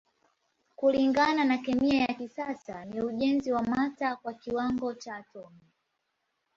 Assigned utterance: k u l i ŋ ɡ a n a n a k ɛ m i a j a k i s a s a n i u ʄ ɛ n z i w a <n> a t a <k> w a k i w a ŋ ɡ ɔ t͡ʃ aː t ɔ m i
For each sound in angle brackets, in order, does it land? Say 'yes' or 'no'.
no, yes

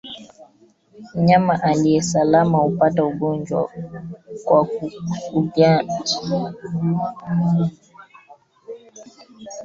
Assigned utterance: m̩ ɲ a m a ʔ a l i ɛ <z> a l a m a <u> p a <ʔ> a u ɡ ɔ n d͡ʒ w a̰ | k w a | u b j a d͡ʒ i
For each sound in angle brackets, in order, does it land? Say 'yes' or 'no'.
no, yes, no

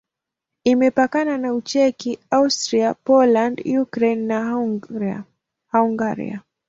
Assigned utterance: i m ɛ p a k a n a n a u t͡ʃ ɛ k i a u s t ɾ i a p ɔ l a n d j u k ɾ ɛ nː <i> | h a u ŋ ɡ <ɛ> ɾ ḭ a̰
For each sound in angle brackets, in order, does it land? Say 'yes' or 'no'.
no, no

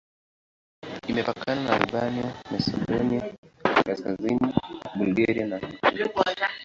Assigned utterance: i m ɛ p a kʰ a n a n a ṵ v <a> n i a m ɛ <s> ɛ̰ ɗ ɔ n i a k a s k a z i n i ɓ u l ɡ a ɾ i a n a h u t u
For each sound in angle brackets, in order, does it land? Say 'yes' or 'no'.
yes, yes

